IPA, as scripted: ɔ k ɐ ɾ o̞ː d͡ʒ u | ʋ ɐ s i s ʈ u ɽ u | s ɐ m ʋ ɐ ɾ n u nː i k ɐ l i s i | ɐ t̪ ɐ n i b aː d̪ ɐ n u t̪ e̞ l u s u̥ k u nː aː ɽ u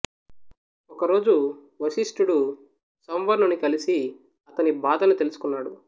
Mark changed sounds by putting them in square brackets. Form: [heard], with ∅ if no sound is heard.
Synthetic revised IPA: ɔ k ɐ ɾ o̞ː d͡ʒ u | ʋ ɐ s i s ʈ u ɽ u | s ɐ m ʋ ɐ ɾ n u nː i k ɐ l i s i | ɐ t̪ ɐ n i b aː d̪ ɐ n u t̪ e̞ l u s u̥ k u nː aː ɽ u